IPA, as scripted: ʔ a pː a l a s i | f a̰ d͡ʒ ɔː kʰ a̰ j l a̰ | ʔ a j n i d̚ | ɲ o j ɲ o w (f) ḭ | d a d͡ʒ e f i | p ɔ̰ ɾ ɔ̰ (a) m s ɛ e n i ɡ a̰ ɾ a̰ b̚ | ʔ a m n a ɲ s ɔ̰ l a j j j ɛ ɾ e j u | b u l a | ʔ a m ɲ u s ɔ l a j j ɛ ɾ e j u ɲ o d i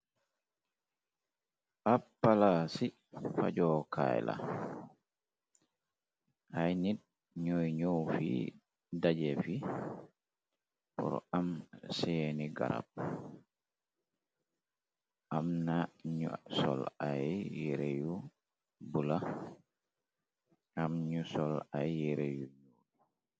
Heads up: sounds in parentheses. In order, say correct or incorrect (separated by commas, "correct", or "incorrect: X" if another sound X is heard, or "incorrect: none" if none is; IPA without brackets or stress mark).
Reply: correct, correct